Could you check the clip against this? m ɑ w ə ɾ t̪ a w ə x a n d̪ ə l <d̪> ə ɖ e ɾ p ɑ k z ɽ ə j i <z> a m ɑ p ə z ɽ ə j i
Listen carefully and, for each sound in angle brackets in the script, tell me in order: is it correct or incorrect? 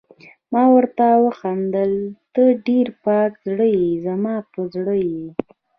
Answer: incorrect: t̪, correct

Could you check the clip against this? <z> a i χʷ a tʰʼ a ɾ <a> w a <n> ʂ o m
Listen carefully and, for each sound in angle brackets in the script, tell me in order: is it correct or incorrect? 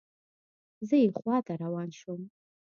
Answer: correct, correct, correct

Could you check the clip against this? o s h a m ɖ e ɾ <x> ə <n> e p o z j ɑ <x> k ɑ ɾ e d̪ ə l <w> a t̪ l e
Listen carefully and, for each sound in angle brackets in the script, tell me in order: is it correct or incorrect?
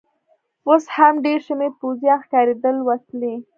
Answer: incorrect: ʃ, incorrect: m, correct, correct

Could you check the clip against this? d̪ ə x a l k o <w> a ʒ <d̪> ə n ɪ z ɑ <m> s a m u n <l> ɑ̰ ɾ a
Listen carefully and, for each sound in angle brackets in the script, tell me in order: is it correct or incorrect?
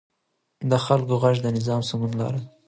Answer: incorrect: ɣ, correct, correct, correct

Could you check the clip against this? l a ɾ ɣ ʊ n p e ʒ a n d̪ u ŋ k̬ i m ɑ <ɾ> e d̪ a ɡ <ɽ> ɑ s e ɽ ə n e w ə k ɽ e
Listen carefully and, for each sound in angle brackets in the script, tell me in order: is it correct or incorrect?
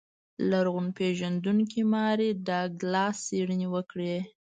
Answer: correct, incorrect: l

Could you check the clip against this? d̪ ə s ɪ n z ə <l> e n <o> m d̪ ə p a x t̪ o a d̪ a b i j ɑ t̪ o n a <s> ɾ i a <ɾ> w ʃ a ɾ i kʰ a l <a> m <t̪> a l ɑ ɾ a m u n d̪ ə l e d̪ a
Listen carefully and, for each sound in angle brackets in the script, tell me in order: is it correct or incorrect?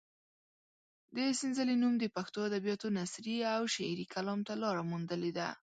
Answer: correct, incorrect: u, correct, incorrect: none, incorrect: ɑ, correct

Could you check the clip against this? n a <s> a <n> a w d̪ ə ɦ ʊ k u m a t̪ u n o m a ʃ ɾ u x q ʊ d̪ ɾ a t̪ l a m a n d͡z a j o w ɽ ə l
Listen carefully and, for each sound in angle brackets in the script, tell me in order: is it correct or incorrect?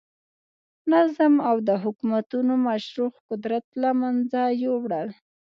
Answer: incorrect: z, incorrect: m

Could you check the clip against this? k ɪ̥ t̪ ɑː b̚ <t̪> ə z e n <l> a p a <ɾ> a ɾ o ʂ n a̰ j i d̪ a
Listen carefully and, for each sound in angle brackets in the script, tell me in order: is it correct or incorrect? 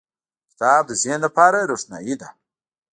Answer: incorrect: d̪, correct, correct

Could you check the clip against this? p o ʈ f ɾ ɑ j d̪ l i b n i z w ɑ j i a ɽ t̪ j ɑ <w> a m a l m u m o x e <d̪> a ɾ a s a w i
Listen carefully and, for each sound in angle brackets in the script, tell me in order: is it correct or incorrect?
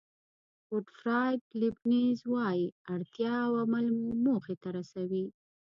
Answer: correct, incorrect: t̪

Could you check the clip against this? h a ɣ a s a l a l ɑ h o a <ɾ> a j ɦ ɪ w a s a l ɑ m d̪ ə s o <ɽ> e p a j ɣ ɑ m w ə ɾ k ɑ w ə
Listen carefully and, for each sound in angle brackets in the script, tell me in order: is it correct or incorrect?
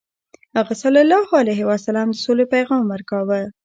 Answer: incorrect: l, incorrect: l

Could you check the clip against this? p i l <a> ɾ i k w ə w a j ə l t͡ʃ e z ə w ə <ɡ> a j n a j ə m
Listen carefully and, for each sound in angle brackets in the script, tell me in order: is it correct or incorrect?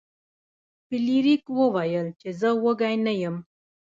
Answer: incorrect: i, correct

